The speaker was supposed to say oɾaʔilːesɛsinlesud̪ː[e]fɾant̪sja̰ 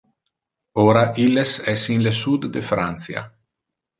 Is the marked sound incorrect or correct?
correct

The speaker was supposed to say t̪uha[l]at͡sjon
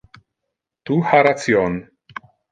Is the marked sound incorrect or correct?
incorrect: ɾ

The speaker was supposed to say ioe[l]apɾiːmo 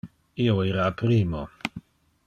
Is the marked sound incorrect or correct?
incorrect: ɾ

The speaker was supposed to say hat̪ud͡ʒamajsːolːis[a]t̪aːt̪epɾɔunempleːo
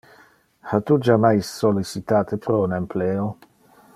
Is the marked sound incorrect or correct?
incorrect: i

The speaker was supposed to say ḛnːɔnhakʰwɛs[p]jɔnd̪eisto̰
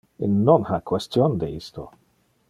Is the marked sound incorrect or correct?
incorrect: t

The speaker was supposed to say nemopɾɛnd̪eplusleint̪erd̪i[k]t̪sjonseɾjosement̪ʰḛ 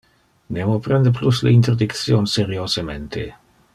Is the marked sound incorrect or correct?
correct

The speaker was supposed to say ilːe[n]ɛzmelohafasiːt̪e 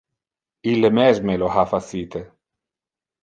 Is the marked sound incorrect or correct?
incorrect: m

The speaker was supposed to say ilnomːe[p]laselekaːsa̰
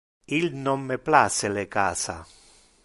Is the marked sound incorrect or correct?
correct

